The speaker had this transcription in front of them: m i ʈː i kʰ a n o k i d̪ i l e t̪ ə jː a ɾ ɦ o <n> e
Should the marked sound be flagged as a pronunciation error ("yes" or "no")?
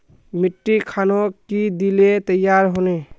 no